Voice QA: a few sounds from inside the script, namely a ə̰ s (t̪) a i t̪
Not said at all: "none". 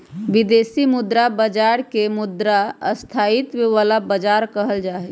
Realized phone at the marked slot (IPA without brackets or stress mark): t̪ʰ